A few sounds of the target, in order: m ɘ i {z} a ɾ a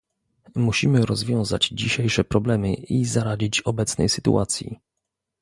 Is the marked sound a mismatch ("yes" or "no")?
no